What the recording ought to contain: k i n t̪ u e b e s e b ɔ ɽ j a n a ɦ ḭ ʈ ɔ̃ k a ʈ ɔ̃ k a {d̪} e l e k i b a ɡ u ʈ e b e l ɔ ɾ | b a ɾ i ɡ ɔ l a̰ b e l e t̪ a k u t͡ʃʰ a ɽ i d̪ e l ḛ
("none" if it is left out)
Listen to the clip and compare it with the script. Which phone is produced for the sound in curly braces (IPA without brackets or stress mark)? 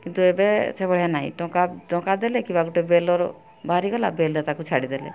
d̪